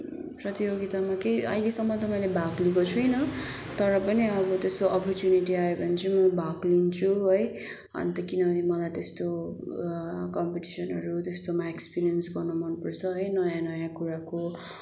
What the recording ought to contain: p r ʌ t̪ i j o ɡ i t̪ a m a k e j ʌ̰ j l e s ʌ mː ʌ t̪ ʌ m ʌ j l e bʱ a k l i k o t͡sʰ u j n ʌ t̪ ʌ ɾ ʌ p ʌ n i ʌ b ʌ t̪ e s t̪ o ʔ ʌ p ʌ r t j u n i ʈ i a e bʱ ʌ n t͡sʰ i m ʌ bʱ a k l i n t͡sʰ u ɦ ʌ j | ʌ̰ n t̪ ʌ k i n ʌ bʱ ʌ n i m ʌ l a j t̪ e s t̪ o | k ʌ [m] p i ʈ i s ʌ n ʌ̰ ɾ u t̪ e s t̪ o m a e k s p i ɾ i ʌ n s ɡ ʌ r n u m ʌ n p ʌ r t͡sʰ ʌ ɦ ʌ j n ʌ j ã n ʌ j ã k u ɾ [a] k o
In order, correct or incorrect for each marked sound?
correct, correct

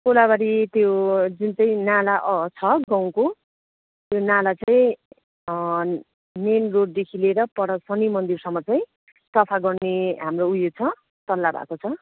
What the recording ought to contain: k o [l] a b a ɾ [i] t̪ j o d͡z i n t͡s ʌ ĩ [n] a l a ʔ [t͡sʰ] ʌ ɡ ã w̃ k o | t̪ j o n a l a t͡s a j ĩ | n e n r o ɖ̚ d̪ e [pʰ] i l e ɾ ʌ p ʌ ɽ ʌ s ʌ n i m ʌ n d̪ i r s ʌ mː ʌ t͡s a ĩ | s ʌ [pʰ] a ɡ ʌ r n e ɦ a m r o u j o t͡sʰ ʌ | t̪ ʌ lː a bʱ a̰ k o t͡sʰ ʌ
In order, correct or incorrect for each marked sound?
correct, correct, correct, correct, incorrect, correct

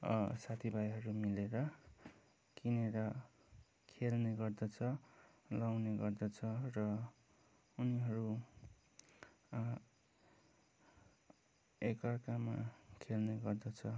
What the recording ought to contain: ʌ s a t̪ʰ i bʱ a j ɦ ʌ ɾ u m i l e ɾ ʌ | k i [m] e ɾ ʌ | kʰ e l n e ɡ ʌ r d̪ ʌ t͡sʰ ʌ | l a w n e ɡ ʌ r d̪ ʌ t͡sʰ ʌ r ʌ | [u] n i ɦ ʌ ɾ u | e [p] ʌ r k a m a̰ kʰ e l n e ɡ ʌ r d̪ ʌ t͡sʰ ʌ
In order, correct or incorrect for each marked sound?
incorrect, correct, incorrect

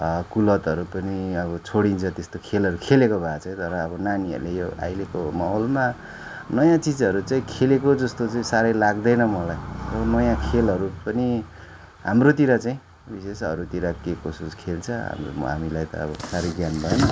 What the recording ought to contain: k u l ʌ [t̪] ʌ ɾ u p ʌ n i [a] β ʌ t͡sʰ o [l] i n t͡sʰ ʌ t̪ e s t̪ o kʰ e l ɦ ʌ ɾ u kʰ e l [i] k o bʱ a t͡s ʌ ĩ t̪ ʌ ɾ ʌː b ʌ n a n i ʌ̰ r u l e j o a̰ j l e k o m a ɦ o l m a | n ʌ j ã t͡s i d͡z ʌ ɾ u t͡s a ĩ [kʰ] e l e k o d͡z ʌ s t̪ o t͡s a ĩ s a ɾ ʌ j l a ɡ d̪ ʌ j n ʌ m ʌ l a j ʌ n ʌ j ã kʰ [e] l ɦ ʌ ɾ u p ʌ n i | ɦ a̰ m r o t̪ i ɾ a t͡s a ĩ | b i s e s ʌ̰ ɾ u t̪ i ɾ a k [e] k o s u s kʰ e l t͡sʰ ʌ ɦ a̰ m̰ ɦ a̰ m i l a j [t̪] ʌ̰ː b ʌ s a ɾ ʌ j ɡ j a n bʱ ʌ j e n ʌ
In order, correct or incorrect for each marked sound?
correct, incorrect, incorrect, incorrect, correct, correct, correct, correct

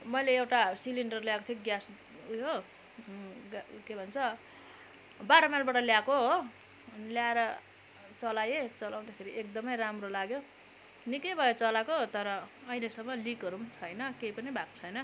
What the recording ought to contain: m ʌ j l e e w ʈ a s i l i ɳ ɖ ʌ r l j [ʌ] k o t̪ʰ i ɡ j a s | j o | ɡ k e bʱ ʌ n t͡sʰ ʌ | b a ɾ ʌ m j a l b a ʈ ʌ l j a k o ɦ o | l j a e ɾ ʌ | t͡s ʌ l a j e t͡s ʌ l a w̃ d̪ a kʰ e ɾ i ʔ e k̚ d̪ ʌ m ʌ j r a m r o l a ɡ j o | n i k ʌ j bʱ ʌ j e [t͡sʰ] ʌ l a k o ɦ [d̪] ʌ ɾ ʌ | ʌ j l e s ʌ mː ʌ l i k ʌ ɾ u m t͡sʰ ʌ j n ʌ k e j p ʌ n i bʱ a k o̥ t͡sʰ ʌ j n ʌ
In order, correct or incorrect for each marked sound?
incorrect, incorrect, incorrect

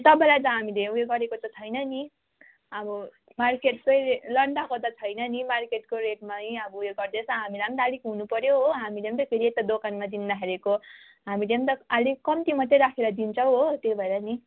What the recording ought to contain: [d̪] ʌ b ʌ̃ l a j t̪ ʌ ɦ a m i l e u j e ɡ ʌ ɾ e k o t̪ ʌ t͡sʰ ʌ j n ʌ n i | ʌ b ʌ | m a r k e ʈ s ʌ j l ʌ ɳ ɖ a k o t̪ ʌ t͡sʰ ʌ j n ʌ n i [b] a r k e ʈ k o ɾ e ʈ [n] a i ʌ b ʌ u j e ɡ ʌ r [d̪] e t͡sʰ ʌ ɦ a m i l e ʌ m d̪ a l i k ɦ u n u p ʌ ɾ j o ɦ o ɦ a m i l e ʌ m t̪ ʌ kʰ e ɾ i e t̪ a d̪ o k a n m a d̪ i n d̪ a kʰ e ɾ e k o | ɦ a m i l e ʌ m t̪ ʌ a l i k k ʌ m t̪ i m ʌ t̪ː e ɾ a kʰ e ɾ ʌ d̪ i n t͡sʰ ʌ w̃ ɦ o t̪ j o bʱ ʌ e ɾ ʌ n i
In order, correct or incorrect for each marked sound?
incorrect, incorrect, incorrect, correct

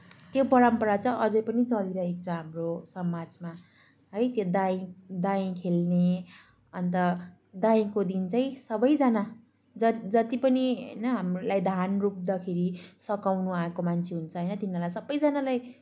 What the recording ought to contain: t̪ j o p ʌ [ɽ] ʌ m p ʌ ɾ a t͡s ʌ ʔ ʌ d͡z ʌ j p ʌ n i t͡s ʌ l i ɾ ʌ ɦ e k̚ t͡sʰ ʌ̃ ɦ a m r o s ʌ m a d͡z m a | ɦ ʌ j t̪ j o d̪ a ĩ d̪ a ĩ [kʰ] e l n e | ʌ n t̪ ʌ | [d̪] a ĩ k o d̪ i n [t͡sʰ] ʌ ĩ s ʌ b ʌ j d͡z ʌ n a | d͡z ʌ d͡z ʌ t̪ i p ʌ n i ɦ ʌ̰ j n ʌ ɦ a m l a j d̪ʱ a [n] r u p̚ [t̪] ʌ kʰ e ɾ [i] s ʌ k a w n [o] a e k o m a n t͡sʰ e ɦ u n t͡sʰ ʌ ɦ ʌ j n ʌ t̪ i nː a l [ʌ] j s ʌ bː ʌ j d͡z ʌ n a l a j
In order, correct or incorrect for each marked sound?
incorrect, correct, correct, incorrect, correct, incorrect, correct, incorrect, incorrect

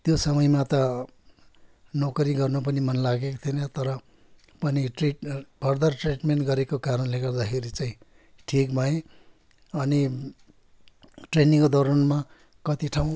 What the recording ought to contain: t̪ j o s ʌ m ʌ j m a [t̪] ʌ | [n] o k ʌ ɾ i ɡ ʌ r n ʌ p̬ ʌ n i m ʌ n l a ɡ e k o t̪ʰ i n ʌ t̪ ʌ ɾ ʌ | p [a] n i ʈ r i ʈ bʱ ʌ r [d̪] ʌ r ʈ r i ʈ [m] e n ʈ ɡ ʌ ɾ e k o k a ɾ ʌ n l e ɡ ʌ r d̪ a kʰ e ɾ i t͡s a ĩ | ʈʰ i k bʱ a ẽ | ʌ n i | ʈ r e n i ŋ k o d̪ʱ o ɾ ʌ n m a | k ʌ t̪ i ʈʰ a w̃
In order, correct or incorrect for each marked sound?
correct, correct, incorrect, correct, correct

